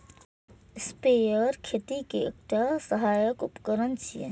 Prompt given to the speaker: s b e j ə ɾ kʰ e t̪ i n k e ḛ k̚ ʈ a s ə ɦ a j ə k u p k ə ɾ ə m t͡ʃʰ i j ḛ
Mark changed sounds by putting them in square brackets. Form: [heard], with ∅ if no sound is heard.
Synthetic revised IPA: s [p] e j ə ɾ kʰ e t̪ i [∅] k e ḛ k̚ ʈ a s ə ɦ a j ə k u p k ə ɾ ə [n] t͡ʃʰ i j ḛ

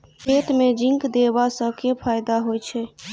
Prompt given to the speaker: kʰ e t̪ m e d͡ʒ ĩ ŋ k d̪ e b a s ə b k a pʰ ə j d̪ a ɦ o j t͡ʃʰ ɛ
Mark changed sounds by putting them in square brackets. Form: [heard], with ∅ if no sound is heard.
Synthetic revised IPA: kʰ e t̪ m e d͡ʒ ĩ ŋ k d̪ e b a s ə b k [e] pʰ [a] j d̪ a ɦ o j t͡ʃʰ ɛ

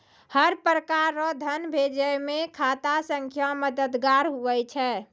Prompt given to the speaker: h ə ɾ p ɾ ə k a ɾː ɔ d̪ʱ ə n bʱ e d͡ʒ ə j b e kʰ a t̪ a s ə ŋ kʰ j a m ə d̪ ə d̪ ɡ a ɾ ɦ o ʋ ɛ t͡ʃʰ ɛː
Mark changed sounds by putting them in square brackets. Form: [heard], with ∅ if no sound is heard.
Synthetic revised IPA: h ə ɾ p ɾ ə k a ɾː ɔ d̪ʱ ə n bʱ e d͡ʒ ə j [m] e kʰ a t̪ a s ə ŋ kʰ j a m ə d̪ ə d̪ ɡ a ɾ ɦ [u] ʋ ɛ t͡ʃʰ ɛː

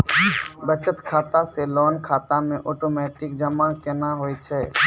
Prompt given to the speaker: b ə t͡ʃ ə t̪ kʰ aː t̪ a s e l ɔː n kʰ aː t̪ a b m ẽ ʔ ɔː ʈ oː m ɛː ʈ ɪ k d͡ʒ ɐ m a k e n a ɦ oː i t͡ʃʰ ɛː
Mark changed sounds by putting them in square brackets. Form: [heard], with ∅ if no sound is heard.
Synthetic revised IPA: b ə t͡ʃ ə t̪ kʰ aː t̪ a s e l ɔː n kʰ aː t̪ a [∅] m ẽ ʔ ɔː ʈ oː m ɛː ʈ ɪ k d͡ʒ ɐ m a k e n a ɦ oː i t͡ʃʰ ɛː

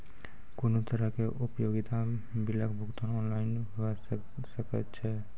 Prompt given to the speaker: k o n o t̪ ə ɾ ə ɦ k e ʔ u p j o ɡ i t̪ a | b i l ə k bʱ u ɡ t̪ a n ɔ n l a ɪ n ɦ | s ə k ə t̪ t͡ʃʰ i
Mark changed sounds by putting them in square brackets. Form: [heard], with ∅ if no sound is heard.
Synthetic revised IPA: k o n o t̪ ə ɾ ə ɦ k e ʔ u p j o ɡ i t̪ a | b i l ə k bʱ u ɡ t̪ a n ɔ n l a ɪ n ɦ | s ə k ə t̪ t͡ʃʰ [ɛ]

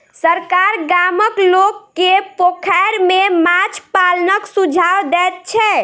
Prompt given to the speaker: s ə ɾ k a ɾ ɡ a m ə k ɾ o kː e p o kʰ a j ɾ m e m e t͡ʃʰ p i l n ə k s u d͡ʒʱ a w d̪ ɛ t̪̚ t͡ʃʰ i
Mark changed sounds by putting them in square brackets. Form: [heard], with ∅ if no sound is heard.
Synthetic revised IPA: s ə ɾ k a ɾ ɡ a m ə k [l] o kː e p o kʰ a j ɾ m e m [a] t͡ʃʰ p [a] l n ə k s u d͡ʒʱ a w d̪ ɛ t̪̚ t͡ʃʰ [ɛ]

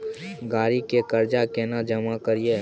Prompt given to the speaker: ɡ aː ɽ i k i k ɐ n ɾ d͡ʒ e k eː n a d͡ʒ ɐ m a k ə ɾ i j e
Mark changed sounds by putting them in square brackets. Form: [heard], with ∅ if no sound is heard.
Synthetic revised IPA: ɡ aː [ɾ] i k [e] k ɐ [∅] ɾ d͡ʒ [a] k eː n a d͡ʒ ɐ m a k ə ɾ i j e

